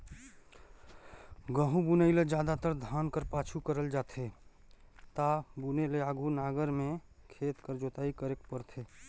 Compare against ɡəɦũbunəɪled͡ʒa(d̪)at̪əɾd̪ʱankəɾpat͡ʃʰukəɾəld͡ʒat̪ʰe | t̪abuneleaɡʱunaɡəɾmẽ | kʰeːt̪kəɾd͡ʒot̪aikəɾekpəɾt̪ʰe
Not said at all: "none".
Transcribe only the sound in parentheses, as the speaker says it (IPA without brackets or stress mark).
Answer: d̪